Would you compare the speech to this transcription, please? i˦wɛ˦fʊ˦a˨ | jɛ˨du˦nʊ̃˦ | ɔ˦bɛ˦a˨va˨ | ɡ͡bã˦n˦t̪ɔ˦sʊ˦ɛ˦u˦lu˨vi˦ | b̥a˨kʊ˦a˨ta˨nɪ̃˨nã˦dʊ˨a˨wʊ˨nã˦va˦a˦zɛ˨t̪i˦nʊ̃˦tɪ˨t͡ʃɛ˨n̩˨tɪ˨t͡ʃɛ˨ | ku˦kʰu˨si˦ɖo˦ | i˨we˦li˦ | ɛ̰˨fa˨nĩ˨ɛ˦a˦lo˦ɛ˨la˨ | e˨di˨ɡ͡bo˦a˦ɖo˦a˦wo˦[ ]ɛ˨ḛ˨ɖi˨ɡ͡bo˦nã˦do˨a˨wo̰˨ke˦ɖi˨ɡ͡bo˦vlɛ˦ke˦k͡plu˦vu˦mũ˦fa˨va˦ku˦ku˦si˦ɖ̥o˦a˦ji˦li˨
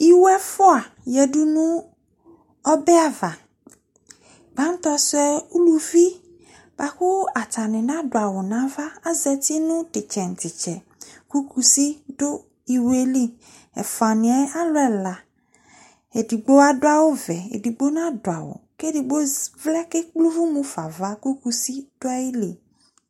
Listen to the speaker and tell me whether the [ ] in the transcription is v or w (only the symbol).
v